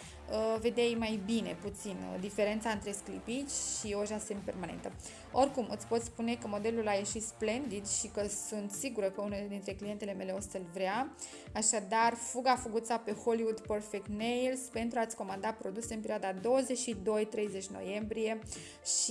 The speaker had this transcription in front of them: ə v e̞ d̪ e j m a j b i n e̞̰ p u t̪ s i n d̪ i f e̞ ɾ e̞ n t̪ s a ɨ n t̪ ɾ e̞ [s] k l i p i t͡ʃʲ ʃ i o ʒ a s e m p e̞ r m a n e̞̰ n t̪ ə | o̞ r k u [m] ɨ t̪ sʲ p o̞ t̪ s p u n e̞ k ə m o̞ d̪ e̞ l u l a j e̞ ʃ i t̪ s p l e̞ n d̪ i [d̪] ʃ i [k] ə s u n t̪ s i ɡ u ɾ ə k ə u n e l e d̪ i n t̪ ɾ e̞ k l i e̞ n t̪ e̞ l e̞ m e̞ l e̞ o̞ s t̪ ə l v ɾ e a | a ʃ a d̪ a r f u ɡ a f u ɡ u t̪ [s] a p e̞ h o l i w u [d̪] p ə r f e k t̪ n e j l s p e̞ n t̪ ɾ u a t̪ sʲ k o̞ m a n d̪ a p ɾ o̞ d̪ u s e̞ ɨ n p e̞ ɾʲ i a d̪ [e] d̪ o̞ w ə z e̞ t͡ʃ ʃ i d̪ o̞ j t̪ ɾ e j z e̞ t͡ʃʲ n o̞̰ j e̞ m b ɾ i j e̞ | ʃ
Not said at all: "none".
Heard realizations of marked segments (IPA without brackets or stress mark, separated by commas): s, m, d̪, k, s, d̪, a